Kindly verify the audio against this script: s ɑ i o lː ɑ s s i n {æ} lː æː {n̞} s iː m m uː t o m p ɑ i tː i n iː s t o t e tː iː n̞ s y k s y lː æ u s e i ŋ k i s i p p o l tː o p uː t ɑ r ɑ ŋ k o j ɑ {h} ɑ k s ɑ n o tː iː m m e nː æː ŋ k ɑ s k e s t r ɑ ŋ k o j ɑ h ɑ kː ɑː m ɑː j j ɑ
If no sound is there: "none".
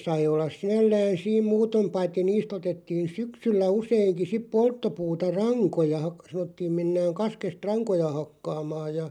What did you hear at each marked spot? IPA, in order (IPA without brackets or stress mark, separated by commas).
æ, n̞, h